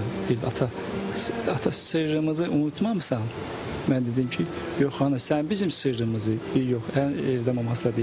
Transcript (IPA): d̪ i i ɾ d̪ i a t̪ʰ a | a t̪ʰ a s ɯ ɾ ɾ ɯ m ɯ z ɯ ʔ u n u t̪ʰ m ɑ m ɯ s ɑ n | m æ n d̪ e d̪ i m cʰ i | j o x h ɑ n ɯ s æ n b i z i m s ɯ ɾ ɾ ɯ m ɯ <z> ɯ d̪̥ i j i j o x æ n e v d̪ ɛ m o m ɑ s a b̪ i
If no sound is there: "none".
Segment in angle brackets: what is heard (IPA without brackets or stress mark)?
z